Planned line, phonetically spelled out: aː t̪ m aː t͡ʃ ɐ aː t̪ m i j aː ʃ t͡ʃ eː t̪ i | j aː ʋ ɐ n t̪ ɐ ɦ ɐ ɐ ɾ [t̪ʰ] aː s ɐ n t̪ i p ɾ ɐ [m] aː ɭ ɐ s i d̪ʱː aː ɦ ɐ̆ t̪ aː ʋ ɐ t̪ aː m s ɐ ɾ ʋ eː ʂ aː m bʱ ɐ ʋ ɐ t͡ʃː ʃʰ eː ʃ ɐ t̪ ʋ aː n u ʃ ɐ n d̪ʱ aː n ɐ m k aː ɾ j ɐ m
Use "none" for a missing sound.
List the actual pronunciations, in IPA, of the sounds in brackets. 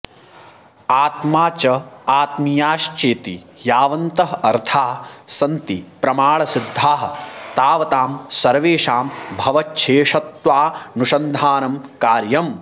t̪ʰ, m

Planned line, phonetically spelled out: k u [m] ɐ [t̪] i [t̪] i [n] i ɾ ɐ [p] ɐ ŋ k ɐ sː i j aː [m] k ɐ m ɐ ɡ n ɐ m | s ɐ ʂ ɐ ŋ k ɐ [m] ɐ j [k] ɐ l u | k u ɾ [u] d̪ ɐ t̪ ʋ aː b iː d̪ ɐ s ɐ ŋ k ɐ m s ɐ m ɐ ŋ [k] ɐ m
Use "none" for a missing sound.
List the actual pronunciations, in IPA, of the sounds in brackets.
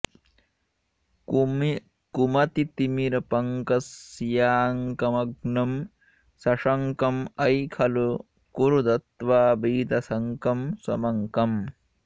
m, t̪, t̪, m, p, ŋ, m, kʰ, u, k

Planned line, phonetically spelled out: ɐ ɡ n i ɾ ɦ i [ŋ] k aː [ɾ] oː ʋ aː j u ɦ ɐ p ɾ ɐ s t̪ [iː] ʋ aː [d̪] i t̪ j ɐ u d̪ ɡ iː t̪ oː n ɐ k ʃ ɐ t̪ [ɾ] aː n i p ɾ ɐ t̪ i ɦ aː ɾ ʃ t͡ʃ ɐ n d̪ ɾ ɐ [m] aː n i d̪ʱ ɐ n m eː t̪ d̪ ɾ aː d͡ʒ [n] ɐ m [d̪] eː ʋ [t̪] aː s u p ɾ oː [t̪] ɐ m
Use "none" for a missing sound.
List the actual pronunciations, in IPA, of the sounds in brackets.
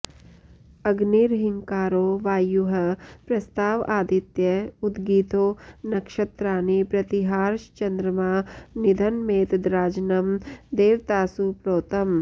ŋ, ɾ, aː, d̪, ɾ, m, n, d̪, t̪, t̪

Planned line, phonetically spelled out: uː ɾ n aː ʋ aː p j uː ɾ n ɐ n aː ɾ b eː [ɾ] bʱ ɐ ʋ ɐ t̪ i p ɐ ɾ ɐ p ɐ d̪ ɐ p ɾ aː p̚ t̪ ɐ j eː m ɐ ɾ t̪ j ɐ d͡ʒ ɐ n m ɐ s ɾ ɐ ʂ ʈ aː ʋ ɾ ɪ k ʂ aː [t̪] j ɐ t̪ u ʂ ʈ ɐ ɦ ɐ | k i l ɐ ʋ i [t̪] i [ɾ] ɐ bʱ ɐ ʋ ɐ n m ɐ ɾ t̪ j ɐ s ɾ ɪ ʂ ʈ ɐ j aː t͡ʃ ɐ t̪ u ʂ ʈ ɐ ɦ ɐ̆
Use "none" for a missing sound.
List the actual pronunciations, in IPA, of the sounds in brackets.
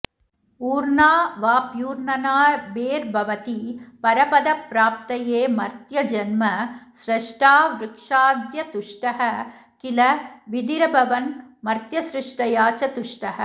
ɾ, d̪, d̪, ɾ

